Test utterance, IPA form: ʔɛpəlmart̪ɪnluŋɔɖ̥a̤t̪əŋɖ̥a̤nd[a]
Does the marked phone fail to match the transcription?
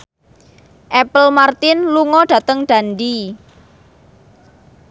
yes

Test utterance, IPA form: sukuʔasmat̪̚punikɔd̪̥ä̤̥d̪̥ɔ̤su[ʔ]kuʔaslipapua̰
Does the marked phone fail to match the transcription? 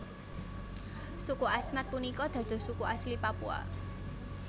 yes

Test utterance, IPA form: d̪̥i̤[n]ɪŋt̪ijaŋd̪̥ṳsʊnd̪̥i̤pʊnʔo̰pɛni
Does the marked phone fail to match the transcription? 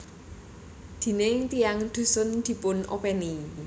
no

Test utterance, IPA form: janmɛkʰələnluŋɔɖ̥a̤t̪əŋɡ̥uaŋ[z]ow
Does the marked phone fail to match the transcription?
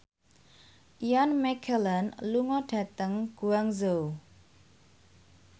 no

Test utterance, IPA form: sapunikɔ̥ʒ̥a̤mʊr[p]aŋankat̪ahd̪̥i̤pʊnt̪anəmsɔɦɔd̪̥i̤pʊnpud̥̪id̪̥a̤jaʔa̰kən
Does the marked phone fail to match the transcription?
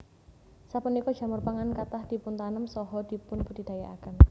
no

